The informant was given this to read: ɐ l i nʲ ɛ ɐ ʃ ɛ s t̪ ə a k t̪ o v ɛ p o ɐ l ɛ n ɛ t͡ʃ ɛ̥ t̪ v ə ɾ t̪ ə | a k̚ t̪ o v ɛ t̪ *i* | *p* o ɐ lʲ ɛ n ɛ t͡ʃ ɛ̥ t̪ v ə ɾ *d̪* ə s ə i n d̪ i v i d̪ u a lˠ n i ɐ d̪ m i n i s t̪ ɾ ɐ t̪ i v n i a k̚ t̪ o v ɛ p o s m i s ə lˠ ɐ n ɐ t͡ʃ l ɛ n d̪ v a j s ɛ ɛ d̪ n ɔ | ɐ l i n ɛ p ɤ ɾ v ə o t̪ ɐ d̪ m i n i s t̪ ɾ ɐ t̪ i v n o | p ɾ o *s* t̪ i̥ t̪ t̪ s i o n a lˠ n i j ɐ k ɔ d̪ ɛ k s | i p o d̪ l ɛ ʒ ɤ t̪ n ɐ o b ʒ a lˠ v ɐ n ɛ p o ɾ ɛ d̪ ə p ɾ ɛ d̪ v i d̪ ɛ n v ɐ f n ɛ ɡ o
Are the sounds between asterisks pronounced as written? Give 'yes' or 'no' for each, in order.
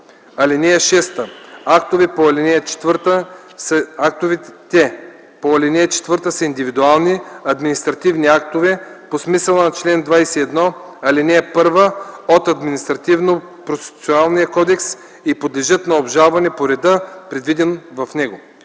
no, yes, no, yes

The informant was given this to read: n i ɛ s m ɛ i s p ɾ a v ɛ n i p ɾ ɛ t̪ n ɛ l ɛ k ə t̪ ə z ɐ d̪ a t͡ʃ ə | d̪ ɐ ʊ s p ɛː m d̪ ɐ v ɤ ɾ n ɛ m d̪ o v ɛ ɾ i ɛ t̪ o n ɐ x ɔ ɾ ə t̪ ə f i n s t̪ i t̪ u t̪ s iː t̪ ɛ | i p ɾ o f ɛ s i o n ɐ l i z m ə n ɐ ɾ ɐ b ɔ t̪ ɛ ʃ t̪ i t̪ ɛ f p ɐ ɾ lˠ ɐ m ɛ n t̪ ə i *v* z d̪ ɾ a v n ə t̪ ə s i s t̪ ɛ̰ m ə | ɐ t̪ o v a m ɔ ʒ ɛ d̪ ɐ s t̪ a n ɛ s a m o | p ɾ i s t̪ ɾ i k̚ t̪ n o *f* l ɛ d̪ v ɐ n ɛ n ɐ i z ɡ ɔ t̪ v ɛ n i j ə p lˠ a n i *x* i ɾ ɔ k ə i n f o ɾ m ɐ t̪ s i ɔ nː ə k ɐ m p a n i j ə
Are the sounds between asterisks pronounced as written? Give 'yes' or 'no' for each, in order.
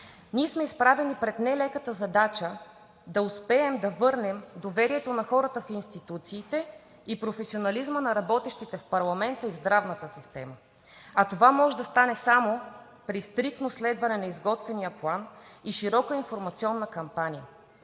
yes, no, no

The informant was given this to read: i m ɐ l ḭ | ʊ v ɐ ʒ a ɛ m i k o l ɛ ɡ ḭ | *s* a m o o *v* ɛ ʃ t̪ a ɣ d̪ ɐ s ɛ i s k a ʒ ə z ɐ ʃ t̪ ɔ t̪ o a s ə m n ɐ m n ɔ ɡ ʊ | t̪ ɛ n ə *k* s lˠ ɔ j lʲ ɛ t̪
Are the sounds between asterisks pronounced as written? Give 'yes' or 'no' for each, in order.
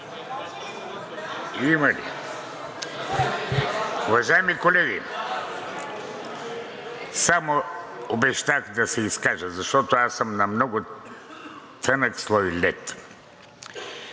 yes, no, yes

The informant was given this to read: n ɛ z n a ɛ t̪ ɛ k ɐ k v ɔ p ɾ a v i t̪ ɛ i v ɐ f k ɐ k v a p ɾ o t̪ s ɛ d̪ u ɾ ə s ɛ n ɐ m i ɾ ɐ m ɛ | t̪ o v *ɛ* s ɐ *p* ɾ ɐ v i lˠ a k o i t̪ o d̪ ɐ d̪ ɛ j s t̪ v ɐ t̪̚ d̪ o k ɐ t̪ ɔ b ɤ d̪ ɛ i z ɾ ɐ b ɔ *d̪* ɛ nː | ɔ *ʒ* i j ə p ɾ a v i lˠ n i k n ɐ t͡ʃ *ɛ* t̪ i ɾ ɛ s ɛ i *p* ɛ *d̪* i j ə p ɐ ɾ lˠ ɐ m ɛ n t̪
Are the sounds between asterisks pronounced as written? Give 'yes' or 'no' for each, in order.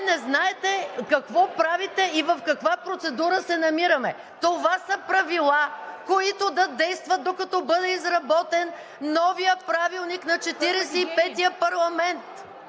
no, yes, no, no, yes, yes, no

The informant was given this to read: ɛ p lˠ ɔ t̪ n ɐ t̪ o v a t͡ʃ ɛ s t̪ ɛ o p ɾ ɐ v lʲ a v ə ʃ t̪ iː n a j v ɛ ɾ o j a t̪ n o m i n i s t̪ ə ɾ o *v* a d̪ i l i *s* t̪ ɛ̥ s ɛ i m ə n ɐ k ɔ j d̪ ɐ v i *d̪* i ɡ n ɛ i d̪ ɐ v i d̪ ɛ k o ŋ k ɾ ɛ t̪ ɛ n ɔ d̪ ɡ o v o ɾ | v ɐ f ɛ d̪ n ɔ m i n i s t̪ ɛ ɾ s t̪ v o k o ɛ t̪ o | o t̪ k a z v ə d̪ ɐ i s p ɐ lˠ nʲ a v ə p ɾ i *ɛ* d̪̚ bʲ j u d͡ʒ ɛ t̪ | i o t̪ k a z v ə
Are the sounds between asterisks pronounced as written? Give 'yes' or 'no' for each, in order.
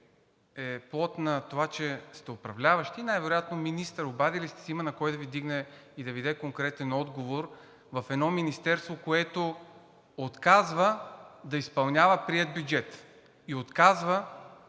no, yes, yes, yes

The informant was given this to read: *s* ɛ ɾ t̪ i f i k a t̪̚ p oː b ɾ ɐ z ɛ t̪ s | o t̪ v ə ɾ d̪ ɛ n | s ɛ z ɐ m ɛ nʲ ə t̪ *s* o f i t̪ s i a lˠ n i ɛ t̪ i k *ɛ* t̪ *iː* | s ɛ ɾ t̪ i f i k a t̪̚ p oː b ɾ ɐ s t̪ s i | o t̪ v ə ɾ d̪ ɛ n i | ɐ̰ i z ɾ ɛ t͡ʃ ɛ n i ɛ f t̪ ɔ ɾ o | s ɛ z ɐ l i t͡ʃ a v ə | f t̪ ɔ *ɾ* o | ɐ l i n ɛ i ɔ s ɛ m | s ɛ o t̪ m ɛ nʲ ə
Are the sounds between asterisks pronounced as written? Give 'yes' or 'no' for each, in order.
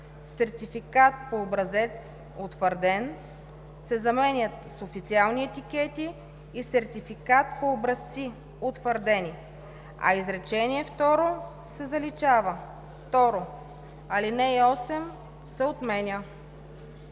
yes, yes, yes, yes, yes

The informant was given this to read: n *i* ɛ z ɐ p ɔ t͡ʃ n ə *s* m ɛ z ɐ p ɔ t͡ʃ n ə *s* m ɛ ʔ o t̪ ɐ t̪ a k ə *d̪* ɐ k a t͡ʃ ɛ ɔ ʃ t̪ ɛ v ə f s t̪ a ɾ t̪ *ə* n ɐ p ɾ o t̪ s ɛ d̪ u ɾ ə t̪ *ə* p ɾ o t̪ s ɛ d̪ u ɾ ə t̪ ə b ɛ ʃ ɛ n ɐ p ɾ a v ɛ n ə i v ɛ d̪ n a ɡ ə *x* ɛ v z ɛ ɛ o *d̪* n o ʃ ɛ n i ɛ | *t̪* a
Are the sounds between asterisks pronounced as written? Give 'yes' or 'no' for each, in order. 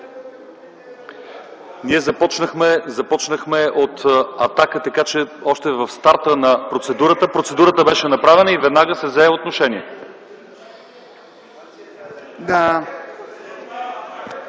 yes, no, no, no, yes, yes, no, no, no

